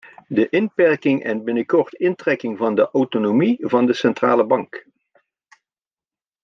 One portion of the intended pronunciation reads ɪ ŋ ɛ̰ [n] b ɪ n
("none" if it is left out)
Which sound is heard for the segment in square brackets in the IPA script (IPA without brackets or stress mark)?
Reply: n